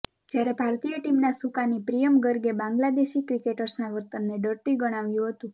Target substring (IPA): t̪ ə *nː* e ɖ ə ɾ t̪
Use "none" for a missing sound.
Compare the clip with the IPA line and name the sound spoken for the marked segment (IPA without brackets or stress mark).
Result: nː